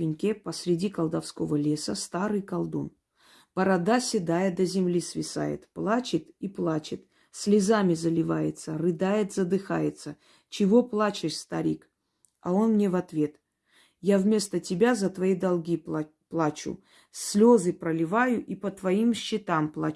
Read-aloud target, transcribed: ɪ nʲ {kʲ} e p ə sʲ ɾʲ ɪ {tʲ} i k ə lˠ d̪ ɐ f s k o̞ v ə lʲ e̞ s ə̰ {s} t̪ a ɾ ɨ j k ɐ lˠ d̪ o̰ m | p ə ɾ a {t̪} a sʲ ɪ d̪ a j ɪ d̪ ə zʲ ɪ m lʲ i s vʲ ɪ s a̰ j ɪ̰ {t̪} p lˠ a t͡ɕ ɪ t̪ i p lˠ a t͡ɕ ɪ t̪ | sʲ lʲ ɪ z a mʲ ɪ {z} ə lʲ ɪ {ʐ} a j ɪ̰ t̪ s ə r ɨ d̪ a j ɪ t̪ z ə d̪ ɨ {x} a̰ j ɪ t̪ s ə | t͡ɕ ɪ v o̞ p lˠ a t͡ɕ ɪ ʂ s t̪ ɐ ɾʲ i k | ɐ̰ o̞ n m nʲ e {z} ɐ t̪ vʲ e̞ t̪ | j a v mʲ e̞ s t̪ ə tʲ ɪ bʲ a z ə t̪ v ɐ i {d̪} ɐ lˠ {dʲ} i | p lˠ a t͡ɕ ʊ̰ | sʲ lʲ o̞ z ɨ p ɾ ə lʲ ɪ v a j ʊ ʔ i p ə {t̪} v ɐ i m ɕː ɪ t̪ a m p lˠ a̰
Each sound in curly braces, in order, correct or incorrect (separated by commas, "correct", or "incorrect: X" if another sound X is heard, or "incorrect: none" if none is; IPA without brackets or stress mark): correct, incorrect: dʲ, correct, incorrect: d̪, correct, correct, incorrect: v, correct, incorrect: v, correct, incorrect: ɡʲ, correct